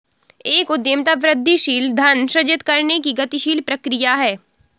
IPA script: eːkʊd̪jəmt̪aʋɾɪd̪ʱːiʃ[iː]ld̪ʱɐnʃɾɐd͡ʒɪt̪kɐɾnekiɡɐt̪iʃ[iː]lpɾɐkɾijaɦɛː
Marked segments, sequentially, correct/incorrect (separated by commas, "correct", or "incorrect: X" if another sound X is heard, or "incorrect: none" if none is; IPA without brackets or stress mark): correct, correct